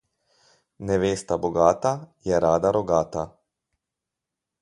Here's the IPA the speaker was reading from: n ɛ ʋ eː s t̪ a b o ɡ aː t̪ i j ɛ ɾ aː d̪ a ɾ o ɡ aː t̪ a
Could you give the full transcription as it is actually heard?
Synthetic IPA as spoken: n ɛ ʋ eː s t̪ a b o ɡ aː t̪ a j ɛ ɾ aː d̪ a ɾ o ɡ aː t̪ a

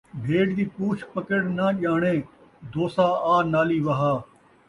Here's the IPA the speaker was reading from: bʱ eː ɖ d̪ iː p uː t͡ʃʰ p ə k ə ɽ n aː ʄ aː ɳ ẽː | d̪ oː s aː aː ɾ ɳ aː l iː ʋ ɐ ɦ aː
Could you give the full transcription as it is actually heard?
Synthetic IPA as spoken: bʱ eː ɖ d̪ iː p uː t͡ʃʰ p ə k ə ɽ n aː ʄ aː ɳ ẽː | d̪ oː s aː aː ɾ n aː l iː ʋ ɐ ɦ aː

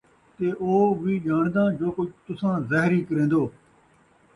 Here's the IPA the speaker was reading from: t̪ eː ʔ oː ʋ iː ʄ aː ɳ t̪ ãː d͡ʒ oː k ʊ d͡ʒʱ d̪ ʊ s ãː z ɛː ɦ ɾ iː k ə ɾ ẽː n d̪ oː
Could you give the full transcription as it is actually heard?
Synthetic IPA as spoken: t̪ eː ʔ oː ʋ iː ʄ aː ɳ d̪ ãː d͡ʒ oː k ʊ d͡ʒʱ t̪ ʊ s ãː z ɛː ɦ ɾ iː k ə ɾ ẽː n d̪ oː

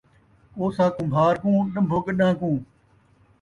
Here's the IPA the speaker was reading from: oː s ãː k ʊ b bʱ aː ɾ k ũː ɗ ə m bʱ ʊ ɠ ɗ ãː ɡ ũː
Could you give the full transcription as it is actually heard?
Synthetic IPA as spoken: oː s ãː k ʊ m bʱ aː ɾ k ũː ɗ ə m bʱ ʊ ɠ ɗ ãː k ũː

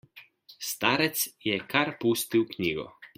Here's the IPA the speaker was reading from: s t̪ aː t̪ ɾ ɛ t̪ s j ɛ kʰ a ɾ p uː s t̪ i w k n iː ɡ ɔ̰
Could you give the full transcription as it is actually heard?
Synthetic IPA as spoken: s t̪ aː ɾ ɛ t̪ s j ɛ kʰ a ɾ p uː s t̪ i w k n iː ɡ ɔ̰

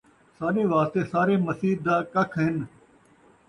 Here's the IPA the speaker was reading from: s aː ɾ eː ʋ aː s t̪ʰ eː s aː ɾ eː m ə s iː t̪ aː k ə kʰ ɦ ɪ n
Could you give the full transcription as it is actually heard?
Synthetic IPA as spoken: s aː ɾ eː ʋ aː s t̪ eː s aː ɾ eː m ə s iː d̪ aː k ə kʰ ɦ ɪ n

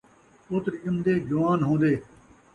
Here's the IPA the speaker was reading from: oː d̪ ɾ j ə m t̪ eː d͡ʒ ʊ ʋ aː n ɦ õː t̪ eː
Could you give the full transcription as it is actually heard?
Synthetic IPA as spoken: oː t̪ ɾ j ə m d̪ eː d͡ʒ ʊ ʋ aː n ɦ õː d̪ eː

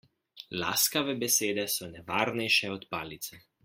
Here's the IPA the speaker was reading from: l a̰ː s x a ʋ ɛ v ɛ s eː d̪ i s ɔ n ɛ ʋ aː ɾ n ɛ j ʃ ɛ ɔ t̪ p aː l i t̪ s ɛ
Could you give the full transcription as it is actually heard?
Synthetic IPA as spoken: l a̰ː s k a ʋ ɛ b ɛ s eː d̪ ɛ s ɔ n ɛ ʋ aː ɾ n ɛ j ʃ ɛ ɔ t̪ p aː l i t̪ s ɛ

